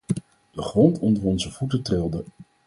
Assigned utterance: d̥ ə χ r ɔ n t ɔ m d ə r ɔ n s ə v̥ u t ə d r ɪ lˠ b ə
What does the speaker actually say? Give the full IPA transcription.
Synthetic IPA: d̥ ə χ r ɔ n t ɔ n d ə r ɔ n z ə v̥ u t ə t r ɪ lˠ d ə